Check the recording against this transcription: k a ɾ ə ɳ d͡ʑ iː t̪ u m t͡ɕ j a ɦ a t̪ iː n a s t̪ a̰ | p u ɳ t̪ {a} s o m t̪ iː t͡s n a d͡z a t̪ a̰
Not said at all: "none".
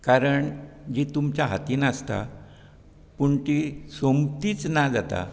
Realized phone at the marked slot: i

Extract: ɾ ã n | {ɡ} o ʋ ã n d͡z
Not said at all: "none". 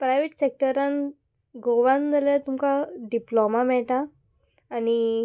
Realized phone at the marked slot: ɡ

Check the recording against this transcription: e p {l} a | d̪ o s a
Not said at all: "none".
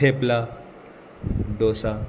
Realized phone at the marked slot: l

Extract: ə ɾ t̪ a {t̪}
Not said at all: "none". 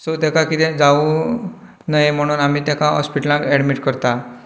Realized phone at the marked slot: none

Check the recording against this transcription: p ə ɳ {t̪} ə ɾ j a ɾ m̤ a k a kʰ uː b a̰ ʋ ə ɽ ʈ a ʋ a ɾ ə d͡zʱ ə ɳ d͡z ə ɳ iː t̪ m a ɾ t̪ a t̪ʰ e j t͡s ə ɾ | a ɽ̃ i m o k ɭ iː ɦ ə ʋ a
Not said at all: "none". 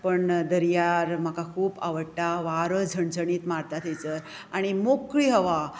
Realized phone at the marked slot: d̪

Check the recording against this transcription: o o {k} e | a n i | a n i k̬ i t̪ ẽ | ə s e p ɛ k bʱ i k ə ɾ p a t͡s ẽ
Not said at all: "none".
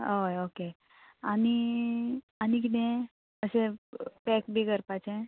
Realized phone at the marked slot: k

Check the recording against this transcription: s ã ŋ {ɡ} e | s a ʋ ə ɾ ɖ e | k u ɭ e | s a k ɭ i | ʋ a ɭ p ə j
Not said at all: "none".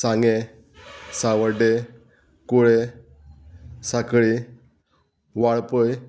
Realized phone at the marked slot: ɡ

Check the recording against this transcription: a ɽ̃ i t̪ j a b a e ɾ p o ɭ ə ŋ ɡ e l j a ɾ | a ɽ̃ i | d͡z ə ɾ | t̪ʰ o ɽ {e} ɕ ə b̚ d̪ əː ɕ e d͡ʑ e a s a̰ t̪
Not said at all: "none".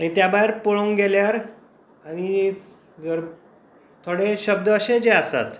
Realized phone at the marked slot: e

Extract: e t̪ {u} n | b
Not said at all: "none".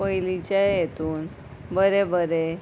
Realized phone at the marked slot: uː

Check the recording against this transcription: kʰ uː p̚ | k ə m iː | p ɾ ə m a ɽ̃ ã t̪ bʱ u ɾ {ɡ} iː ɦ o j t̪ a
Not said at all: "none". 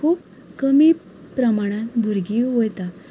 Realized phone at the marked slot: ɡ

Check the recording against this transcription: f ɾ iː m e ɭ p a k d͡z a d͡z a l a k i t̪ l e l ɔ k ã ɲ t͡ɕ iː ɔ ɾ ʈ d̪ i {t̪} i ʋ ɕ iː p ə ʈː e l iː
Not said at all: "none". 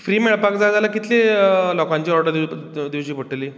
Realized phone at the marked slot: d̪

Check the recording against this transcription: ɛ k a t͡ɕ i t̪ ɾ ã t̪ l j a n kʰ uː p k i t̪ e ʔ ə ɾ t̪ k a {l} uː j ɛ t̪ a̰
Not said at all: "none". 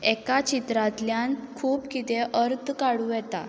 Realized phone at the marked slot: ɽ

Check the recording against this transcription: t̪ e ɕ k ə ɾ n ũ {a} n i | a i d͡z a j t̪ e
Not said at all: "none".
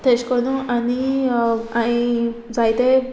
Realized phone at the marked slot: a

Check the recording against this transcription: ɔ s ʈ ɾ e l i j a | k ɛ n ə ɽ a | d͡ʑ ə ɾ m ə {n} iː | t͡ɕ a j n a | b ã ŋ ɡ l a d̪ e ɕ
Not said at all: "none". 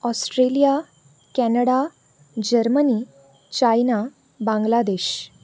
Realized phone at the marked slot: n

